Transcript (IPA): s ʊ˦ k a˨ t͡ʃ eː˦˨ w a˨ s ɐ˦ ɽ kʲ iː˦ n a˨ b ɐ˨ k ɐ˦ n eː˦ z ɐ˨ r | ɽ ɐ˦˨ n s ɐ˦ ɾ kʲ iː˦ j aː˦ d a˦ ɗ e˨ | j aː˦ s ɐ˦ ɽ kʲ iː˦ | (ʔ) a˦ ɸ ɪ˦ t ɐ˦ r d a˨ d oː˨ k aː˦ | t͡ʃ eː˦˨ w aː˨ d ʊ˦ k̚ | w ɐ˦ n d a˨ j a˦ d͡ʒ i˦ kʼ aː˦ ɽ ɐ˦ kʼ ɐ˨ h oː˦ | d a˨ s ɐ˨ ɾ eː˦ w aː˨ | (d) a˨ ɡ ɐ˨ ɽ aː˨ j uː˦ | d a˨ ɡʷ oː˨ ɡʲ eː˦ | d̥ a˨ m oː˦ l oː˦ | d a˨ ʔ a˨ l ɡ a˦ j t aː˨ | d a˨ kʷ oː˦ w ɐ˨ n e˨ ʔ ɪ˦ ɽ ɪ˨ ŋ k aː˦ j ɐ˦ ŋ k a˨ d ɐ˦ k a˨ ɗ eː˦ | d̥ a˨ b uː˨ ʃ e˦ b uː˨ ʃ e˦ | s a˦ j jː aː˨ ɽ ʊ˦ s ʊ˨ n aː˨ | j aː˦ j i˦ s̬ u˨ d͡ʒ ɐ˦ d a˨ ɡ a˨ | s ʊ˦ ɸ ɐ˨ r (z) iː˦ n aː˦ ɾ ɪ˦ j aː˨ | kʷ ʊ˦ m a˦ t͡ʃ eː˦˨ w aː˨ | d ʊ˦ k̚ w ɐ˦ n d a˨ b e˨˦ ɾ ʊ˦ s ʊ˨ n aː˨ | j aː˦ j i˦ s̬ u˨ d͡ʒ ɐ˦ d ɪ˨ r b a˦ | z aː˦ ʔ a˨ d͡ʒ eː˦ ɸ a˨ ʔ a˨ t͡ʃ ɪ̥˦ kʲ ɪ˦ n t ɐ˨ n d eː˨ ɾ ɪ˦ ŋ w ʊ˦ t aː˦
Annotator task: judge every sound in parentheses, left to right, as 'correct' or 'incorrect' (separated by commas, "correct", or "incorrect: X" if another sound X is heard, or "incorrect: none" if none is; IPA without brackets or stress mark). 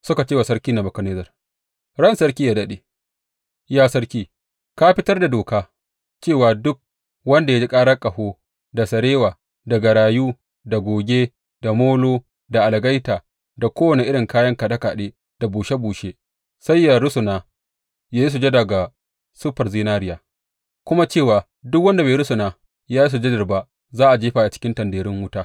incorrect: k, correct, correct